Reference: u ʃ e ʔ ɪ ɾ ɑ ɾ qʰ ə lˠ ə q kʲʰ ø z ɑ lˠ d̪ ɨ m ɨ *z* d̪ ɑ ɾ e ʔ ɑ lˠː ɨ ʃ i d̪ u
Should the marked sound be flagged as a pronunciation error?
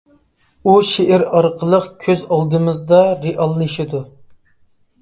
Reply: no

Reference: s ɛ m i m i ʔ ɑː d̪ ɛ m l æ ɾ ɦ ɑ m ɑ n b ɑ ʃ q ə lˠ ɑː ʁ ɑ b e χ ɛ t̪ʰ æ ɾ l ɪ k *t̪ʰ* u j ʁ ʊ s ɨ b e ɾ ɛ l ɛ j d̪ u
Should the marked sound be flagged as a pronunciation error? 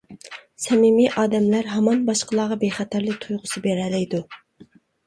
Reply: no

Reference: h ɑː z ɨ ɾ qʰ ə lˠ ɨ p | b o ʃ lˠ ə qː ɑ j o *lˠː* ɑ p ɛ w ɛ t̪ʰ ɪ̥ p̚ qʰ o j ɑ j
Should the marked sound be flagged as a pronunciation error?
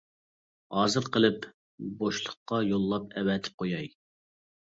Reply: no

